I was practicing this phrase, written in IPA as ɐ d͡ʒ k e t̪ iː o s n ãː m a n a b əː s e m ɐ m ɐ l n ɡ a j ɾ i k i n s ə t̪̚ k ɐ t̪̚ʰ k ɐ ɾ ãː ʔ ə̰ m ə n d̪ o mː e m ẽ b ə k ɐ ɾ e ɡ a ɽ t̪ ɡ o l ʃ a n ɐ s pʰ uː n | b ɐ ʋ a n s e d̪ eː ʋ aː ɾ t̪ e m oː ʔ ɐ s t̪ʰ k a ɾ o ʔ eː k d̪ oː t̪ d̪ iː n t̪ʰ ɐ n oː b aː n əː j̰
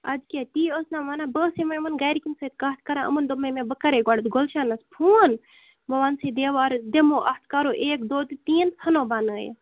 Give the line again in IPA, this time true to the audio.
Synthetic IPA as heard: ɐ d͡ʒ k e t̪ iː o s n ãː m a n a b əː s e m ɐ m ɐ n ɡ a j ɾ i k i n s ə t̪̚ k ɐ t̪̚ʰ k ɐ ɾ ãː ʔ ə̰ m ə n d̪ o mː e m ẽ b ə k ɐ ɾ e ɡ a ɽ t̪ ɡ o l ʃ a n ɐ s pʰ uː n | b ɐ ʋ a n s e d̪ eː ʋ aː ɾ d̪ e m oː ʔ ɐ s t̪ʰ k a ɾ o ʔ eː k d̪ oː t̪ t̪ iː n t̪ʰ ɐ n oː b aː n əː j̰